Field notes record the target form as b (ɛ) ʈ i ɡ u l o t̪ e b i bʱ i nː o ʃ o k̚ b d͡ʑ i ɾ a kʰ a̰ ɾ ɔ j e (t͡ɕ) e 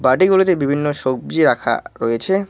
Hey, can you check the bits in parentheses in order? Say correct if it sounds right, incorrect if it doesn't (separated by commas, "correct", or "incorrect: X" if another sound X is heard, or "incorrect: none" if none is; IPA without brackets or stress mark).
incorrect: a, incorrect: t͡ɕʰ